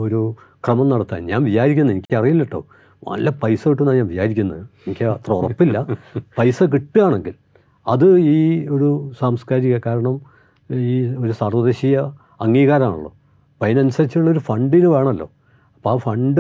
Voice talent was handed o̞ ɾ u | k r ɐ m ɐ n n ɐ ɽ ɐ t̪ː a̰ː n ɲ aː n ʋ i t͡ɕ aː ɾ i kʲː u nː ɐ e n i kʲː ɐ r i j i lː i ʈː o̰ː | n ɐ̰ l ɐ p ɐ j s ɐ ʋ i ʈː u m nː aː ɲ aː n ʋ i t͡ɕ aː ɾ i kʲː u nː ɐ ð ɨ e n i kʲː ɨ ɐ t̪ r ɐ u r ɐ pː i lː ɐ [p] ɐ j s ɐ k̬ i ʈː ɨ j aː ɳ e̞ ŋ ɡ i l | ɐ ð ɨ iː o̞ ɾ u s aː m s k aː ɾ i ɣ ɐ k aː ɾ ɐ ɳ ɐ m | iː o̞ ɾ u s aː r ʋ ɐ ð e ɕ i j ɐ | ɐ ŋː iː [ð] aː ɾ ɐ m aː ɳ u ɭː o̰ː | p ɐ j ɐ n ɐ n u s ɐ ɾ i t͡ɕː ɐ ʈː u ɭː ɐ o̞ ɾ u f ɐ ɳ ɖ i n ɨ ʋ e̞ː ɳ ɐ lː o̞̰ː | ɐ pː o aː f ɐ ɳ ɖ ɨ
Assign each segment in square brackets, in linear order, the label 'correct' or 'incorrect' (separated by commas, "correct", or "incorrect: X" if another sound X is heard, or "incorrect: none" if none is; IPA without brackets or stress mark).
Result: correct, incorrect: ɣ